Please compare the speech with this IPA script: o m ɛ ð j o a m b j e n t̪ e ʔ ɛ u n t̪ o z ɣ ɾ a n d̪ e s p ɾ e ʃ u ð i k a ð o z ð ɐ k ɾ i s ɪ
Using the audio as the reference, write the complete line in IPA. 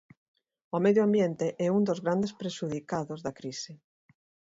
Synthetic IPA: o m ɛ ð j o a m b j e n t̪ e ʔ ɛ u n d̪ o z ɣ ɾ a n d̪ e s p ɾ e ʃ u ð i k a ð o z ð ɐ k ɾ i s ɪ